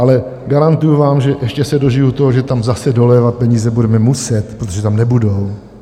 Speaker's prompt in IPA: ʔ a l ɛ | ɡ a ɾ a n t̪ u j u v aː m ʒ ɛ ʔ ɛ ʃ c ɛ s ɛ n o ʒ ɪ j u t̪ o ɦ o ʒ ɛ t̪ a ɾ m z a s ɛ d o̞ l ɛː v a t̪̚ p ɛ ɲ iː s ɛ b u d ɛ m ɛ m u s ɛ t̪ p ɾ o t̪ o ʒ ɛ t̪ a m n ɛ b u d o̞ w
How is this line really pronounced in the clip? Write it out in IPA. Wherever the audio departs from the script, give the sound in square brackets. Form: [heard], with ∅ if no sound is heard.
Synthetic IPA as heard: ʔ a l ɛ | ɡ a ɾ a n t̪ u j u v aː m ʒ ɛ ʔ ɛ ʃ c ɛ s ɛ [d] o ʒ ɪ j u t̪ o ɦ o ʒ ɛ t̪ a [∅] m z a s ɛ d o̞ l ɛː v a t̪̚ p ɛ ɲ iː [z] ɛ b u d ɛ m ɛ m u s ɛ t̪ p ɾ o t̪ o ʒ ɛ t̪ a m n ɛ b u d o̞ w